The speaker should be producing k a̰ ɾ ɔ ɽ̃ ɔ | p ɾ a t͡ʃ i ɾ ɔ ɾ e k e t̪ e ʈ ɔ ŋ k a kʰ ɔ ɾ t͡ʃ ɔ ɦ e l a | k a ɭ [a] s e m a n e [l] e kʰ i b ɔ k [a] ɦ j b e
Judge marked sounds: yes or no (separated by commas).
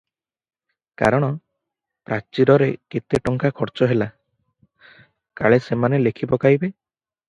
no, yes, yes